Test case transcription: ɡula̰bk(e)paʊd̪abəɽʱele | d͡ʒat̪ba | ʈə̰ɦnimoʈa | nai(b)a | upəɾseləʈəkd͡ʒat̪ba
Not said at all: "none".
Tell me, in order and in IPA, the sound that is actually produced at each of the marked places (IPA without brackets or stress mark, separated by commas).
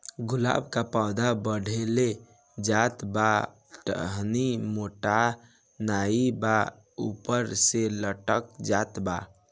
a, b